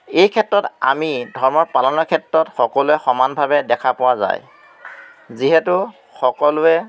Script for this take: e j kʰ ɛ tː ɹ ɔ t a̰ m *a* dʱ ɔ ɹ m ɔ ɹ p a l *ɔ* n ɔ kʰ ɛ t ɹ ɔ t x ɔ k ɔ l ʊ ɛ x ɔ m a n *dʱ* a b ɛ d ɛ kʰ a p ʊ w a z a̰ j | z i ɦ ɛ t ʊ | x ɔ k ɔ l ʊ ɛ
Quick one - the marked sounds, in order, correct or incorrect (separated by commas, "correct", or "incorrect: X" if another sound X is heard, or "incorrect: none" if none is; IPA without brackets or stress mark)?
incorrect: i, correct, incorrect: bʱ